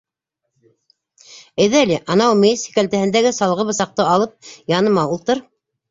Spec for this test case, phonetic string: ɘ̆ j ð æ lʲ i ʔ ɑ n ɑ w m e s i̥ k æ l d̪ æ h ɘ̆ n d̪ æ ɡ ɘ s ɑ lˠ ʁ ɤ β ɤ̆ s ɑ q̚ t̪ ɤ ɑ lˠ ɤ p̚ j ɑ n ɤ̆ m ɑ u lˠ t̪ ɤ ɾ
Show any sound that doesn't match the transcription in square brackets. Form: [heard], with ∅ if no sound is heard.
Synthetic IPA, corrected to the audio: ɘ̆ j ð æ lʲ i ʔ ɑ n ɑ w m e s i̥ k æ l [t̪] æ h ɘ̆ n d̪ æ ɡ ɘ s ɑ lˠ ʁ ɤ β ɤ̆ s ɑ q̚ t̪ ɤ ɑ lˠ ɤ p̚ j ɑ n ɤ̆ m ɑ u lˠ t̪ ɤ ɾ